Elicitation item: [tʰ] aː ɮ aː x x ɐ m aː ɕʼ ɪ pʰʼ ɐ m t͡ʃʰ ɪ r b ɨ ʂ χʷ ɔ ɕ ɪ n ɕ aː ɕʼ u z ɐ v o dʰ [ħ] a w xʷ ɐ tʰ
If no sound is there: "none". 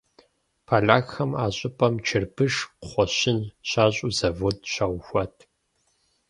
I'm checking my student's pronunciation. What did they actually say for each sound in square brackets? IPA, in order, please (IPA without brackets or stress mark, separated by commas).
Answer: pʰ, ɕ